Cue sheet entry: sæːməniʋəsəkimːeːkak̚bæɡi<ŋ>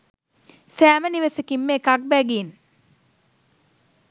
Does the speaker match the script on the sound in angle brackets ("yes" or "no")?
no